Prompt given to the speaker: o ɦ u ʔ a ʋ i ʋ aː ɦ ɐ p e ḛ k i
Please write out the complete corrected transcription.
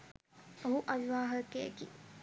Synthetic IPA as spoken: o ɦ u ʔ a ʋ i ʋ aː ɦ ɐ k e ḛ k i